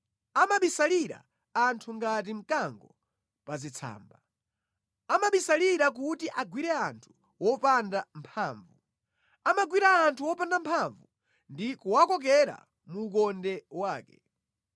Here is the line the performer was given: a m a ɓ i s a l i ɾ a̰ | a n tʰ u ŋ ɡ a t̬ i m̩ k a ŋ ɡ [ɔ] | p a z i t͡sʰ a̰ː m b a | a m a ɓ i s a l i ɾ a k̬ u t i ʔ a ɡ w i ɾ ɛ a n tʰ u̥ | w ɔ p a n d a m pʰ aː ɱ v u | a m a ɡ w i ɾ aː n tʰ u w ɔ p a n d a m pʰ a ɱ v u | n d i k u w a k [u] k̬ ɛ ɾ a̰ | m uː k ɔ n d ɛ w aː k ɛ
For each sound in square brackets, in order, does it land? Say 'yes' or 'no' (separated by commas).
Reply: yes, no